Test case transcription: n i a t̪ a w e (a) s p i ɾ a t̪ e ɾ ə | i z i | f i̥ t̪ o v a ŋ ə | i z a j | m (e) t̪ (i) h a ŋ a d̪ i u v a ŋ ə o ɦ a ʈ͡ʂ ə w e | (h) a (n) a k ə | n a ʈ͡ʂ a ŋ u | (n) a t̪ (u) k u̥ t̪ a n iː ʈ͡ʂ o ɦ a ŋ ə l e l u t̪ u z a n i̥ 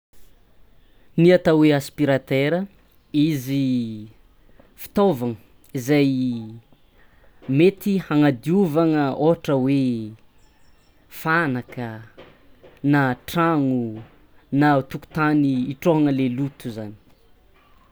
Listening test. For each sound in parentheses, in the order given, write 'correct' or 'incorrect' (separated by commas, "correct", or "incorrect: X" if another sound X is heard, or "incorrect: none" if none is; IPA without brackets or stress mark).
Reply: correct, correct, correct, incorrect: f, correct, correct, correct